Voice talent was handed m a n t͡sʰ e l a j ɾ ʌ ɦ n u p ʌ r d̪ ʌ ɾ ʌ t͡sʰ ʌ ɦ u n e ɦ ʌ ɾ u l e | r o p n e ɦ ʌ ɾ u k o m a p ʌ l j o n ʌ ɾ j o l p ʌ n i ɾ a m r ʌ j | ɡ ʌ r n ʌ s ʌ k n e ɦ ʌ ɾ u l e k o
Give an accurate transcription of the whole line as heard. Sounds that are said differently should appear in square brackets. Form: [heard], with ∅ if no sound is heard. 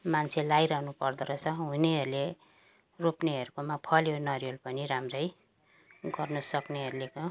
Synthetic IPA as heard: m a n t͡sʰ e l a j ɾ ʌ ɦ n u p ʌ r d̪ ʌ ɾ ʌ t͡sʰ ʌ ɦ u n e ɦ ʌ ɾ u l e | r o p n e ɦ ʌ ɾ u k o m a [pʰ] ʌ l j o n ʌ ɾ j o l p ʌ n i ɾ a m r ʌ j | ɡ ʌ r n ʌ s ʌ k n e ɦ ʌ ɾ u l e k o